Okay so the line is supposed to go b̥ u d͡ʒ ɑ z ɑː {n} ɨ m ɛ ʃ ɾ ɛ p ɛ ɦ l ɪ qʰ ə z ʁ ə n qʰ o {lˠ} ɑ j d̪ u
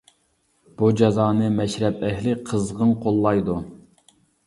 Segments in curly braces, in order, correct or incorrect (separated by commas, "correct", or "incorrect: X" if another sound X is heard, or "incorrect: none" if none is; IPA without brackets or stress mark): correct, incorrect: lˠː